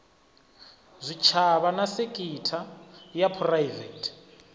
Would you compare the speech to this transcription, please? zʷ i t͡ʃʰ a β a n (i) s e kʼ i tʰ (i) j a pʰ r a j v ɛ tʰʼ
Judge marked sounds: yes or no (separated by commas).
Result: no, no